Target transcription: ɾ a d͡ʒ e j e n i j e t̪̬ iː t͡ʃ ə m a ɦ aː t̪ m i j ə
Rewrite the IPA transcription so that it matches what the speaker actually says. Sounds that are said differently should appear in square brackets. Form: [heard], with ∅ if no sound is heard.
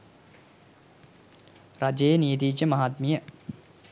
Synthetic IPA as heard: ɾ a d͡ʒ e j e n i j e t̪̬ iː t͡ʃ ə m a ɦ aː t̪ m i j ə